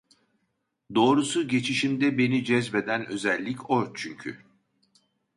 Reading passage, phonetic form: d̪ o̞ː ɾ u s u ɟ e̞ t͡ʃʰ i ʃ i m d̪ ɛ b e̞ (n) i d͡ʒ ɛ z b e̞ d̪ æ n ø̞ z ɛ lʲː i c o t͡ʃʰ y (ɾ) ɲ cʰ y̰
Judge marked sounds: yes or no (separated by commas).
yes, no